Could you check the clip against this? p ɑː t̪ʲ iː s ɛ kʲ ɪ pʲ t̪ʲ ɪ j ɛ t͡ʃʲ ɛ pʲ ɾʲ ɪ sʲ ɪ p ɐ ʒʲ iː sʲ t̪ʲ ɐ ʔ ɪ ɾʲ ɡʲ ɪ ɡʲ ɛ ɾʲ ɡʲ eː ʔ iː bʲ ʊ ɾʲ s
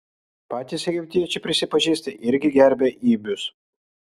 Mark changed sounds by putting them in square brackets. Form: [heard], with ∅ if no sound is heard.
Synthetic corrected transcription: p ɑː t̪ʲ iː s ɛ [ɡʲ] ɪ pʲ t̪ʲ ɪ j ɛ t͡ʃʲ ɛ pʲ ɾʲ ɪ sʲ ɪ p ɐ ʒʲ iː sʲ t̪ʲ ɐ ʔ ɪ ɾʲ ɡʲ ɪ ɡʲ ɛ ɾʲ [bʲ] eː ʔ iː bʲ ʊ [∅] s

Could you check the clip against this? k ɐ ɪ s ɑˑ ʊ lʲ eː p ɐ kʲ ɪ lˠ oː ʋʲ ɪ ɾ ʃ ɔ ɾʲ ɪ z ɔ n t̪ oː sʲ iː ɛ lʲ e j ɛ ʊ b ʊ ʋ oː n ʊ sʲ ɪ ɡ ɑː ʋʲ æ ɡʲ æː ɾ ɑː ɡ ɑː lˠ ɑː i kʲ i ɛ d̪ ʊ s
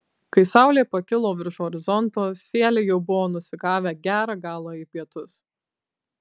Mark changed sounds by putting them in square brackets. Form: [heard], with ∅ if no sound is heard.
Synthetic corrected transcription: k ɐ ɪ s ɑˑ ʊ lʲ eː p ɐ kʲ ɪ lˠ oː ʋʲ ɪ ɾ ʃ ɔ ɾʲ ɪ z ɔ n t̪ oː sʲ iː ɛ lʲ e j ɛ ʊ b ʊ ʋ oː n ʊ sʲ ɪ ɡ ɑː ʋʲ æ ɡʲ æː ɾ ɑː ɡ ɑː lˠ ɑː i [pʲ] i ɛ [t̪] ʊ s

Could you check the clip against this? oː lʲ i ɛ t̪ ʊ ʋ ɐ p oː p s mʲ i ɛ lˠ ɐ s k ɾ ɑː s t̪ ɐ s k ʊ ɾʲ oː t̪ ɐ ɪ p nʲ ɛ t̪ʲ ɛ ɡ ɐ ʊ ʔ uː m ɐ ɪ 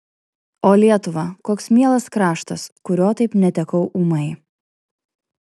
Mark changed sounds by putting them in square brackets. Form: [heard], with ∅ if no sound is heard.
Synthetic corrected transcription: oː lʲ i ɛ t̪ ʊ ʋ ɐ [k] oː [k] s mʲ i ɛ lˠ ɐ s k ɾ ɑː [ʃ] t̪ ɐ s k ʊ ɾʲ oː t̪ ɐ ɪ p nʲ ɛ t̪ʲ ɛ [k] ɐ ʊ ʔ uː m ɐ ɪ

